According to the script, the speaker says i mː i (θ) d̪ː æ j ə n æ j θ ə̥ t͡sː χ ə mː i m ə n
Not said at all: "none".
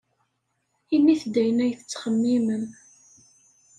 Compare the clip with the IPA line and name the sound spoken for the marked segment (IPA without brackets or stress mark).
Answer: θ